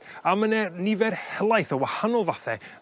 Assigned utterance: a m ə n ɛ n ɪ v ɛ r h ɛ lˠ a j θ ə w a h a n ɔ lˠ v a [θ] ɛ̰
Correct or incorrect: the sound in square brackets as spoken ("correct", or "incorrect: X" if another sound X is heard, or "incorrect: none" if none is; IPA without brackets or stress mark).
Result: correct